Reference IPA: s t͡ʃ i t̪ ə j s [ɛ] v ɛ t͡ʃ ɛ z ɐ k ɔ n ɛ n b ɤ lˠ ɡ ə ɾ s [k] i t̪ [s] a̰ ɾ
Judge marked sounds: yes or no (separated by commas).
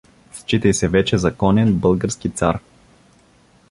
yes, yes, yes